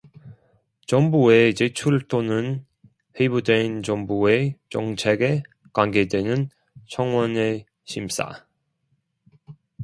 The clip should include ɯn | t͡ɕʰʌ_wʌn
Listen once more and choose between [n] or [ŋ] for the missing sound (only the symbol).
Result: ŋ